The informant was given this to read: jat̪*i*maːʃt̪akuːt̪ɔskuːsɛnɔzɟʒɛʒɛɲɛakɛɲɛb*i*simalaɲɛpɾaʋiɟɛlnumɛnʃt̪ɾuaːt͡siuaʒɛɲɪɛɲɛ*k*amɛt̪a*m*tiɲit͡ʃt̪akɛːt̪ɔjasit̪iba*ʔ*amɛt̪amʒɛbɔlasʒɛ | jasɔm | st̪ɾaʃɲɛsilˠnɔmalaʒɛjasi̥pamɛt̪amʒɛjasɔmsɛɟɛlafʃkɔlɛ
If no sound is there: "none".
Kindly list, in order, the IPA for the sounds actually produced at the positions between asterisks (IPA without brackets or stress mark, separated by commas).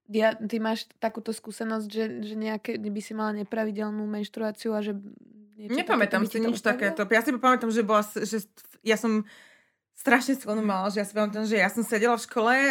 i, i, p, m, p